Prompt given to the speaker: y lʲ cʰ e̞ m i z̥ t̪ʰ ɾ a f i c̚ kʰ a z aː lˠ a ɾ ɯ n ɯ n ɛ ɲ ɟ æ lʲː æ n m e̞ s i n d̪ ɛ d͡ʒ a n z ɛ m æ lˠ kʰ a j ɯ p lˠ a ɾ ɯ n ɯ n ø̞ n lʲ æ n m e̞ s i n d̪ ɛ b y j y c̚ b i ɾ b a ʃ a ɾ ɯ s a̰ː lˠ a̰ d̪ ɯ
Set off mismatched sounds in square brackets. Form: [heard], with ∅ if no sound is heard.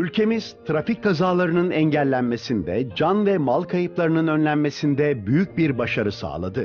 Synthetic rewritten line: y lʲ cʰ e̞ m i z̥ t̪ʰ ɾ a f i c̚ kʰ a z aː lˠ a ɾ ɯ n ɯ n ɛ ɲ ɟ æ lʲː æ n m e̞ s i n d̪ ɛ d͡ʒ a n [v] ɛ m [a] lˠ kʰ a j ɯ p lˠ a ɾ ɯ n ɯ n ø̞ n lʲ æ n m e̞ s i n d̪ ɛ b y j y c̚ b i ɾ b a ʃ a ɾ ɯ s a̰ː lˠ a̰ d̪ ɯ

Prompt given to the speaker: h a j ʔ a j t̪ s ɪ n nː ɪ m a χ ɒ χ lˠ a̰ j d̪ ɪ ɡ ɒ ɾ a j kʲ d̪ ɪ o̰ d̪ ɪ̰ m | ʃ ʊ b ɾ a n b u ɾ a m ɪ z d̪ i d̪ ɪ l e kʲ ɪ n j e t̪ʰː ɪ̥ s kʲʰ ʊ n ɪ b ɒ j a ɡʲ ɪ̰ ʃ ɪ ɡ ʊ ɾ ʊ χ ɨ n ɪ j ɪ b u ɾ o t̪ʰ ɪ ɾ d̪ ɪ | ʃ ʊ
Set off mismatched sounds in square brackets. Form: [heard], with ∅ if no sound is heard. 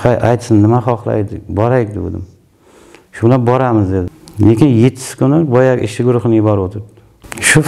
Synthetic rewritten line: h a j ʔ a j t̪ s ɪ n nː ɪ m a χ ɒ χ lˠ a̰ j d̪ ɪ [b] ɒ ɾ a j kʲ d̪ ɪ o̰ d̪ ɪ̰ m | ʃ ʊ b [l] a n b [ɒ] ɾ a m ɪ z d̪ [e] d̪ ɪ l e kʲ ɪ n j e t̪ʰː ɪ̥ s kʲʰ ʊ n ɪ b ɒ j a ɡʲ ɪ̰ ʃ ɪ ɡ ʊ ɾ ʊ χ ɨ n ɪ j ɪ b [ɒ] ɾ o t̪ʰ ɪ ɾ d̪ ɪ | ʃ ʊ

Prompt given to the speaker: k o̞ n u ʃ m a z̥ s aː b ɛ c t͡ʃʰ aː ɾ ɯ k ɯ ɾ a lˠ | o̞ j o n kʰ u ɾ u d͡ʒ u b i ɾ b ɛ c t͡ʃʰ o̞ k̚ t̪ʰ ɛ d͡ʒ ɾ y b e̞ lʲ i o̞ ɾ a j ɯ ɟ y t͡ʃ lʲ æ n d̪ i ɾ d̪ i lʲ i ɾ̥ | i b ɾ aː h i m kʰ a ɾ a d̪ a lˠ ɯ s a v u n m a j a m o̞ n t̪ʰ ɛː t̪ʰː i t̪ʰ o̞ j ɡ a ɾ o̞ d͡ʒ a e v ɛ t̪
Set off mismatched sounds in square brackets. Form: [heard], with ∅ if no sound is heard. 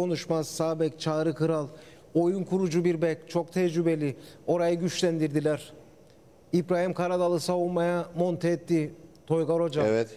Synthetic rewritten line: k o̞ n u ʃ m a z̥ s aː b ɛ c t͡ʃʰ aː ɾ ɯ k ɯ ɾ a lˠ | o̞ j [u] n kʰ u ɾ u d͡ʒ u b i ɾ b ɛ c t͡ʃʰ o̞ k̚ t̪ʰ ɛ d͡ʒ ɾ y b e̞ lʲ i o̞ ɾ a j ɯ ɟ y t͡ʃ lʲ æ n d̪ i ɾ d̪ i lʲ [æ] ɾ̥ | i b ɾ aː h i m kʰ a ɾ a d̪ a lˠ ɯ s a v u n m a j a m o̞ n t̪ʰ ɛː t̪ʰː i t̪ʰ o̞ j ɡ a ɾ o̞ d͡ʒ a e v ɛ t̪

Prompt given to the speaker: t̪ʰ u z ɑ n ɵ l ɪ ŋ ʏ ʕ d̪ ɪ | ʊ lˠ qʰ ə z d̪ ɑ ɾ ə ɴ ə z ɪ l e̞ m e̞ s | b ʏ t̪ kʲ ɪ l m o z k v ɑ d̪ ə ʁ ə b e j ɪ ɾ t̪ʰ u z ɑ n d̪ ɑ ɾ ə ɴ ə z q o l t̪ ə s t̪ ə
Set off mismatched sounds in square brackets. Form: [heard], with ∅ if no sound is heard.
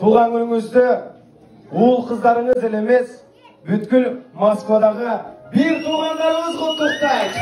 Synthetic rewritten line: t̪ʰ u [ʁ] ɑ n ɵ l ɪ ŋ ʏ [z] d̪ ɪ | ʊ lˠ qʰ ə z d̪ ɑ ɾ ə ɴ ə z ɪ l e̞ m e̞ s | b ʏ t̪ kʲ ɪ l m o [s] k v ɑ d̪ [ɑ] ʁ ə b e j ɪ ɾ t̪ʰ u [ʁ] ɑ n d̪ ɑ ɾ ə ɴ ə z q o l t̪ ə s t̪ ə

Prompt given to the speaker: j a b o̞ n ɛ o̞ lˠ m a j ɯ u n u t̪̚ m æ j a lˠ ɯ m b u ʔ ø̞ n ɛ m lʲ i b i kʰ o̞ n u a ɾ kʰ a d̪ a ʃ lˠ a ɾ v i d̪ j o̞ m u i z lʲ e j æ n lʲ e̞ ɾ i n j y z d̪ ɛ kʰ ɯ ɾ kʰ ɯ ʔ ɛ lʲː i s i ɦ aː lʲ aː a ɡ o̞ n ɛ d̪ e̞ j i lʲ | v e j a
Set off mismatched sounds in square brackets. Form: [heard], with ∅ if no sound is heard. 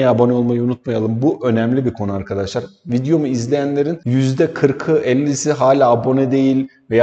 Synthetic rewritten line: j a b o̞ n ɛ o̞ lˠ m a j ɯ u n u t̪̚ m [a] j a lˠ ɯ m b u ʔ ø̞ n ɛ m lʲ i b i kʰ o̞ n u a ɾ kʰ a d̪ a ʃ lˠ a ɾ v i d̪ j o̞ m u i z lʲ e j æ n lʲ e̞ ɾ i n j y z d̪ ɛ kʰ ɯ ɾ kʰ ɯ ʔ ɛ lʲː i s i ɦ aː lʲ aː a [b] o̞ n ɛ d̪ e̞ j i lʲ | v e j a

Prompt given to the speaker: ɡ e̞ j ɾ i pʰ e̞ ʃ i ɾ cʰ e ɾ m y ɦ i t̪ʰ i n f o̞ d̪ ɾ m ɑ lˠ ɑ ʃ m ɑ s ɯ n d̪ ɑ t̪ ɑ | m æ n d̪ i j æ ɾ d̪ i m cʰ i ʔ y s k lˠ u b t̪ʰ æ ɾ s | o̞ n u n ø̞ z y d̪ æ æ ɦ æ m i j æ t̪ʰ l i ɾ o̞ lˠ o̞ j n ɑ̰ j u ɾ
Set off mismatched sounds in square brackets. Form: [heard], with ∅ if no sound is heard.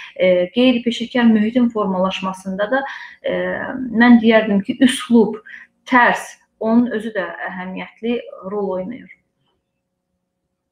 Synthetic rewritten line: ɡ e̞ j ɾ i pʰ e̞ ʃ i ɾ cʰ [æ] ɾ m y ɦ i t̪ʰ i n f o̞ [∅] ɾ m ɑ lˠ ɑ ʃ m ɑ s ɯ n d̪ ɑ [d̪] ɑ | m æ n d̪ i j æ ɾ d̪ i m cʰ i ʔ y s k lˠ u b t̪ʰ æ ɾ s | o̞ n u n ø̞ z y d̪ æ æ ɦ æ m i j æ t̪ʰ l i ɾ o̞ lˠ o̞ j n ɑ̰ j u ɾ

